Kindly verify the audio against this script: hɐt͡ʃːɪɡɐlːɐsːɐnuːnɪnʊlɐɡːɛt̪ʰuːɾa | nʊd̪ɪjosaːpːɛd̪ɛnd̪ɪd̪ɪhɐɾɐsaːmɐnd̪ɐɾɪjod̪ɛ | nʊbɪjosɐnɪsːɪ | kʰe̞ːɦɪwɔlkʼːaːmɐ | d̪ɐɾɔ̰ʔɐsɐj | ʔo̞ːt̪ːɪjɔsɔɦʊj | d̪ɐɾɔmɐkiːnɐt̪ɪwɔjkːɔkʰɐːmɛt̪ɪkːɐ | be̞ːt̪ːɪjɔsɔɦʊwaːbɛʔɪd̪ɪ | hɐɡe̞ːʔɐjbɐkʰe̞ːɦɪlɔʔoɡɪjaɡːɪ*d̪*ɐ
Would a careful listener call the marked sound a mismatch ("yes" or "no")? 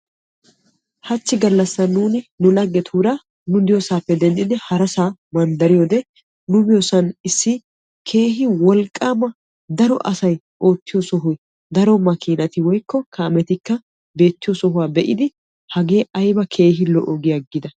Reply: no